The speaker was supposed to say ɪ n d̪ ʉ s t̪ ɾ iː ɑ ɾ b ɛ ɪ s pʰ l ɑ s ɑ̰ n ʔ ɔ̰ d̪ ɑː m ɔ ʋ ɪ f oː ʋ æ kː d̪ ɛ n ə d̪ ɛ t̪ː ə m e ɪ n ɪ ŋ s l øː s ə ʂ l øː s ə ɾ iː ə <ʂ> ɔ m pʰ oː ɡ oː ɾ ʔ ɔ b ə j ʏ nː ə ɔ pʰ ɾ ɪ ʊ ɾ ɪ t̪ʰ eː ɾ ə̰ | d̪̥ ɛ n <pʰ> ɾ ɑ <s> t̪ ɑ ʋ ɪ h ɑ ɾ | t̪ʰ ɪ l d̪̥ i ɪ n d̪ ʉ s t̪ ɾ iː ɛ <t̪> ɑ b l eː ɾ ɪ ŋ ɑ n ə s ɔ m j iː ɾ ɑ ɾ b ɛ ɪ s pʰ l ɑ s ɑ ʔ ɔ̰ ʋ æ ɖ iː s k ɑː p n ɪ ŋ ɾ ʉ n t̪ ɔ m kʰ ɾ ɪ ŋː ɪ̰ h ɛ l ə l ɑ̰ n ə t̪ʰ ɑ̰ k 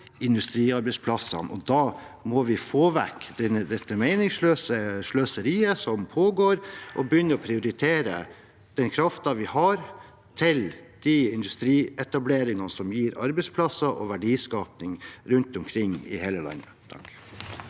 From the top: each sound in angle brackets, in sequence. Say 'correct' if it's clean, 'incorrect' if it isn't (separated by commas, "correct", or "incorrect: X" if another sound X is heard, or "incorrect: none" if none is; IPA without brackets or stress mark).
incorrect: s, incorrect: kʰ, incorrect: f, correct